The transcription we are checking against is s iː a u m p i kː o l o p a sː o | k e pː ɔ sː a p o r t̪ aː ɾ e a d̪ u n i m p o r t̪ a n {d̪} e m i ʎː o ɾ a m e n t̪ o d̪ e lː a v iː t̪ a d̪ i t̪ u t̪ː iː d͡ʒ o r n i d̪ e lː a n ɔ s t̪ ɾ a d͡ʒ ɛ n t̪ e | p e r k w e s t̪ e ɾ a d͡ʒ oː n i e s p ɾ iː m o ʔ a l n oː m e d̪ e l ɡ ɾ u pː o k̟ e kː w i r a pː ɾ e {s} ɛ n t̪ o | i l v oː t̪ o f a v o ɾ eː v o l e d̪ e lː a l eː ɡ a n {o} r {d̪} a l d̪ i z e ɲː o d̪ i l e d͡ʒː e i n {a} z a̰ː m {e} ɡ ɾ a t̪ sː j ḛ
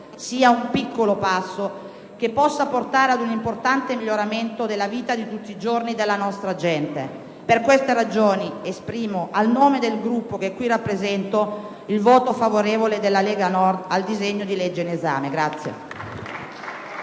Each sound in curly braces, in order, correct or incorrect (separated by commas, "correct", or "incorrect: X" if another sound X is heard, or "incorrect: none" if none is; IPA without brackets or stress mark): incorrect: t̪, incorrect: z, incorrect: ɔ, correct, incorrect: e, correct